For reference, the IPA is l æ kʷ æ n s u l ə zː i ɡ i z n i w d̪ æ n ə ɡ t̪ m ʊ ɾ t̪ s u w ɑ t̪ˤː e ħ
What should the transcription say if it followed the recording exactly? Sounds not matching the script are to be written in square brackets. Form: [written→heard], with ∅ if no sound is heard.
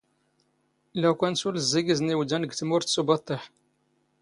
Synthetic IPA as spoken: l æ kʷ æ n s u l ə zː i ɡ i z n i w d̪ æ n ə ɡ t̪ m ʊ ɾ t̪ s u [w→b] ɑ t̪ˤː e ħ